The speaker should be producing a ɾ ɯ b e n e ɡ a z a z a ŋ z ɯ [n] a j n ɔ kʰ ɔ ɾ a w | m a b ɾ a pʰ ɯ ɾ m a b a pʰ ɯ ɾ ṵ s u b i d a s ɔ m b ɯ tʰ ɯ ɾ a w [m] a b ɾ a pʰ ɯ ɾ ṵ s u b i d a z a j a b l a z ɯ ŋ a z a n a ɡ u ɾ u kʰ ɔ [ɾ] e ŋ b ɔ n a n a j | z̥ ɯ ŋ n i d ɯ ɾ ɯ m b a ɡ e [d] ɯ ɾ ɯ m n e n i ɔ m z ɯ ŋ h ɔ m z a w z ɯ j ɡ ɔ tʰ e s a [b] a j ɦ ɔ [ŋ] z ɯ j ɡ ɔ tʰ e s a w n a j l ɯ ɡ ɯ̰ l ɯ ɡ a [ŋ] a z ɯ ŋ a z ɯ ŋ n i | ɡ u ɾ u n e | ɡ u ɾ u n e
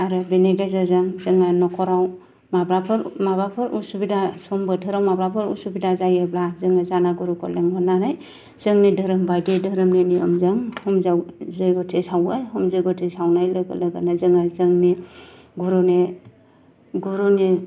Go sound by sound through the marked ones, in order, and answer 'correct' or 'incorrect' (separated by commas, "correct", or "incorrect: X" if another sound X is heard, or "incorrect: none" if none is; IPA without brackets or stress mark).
incorrect: ŋ, correct, incorrect: l, correct, incorrect: w, incorrect: m, incorrect: n